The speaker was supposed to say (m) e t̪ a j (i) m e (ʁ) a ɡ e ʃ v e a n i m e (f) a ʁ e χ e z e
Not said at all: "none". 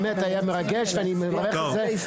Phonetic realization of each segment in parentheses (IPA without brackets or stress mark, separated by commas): m, a, ʁ, v